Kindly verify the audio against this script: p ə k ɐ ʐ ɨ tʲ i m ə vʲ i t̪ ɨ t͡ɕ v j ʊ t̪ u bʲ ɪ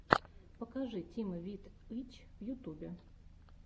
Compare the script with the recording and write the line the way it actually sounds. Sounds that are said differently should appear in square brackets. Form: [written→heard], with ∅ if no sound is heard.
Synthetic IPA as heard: p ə k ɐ ʐ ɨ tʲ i m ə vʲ i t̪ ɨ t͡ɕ v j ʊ t̪ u bʲ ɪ